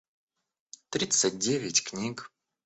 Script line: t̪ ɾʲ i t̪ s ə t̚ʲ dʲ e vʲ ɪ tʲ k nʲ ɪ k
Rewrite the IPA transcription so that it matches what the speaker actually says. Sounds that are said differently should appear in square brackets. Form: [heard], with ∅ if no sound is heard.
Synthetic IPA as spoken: t̪ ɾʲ i t̪ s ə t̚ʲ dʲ e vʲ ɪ tʲ k nʲ [i] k